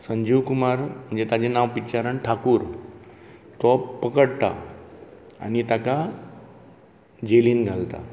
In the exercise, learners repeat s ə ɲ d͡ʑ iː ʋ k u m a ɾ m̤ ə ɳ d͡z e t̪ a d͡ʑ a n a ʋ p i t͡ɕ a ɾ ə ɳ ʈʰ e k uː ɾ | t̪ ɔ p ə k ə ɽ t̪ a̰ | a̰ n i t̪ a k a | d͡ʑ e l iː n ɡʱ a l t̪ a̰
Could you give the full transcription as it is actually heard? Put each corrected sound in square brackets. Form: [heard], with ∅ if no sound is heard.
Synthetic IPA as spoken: s ə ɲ d͡ʑ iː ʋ k u m a ɾ m̤ ə ɳ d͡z e t̪ a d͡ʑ [e] n a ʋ p i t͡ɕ a ɾ ə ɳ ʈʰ [a] k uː ɾ | t̪ ɔ p ə k ə ɽ t̪ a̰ | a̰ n i t̪ a k a | d͡ʑ e l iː n ɡʱ a l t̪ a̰